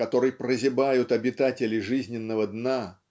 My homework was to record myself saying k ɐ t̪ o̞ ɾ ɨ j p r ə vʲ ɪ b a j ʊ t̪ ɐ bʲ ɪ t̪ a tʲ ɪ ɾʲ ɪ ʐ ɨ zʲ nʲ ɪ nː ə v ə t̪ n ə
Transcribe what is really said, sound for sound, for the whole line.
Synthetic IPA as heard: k ɐ t̪ o̞ ɾ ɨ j p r ə zʲ ɪ b a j ʊ t̪ ɐ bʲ ɪ t̪ a tʲ ɪ lʲ ɪ ʐ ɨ zʲ nʲ ɪ nː ə v ə d̪ n a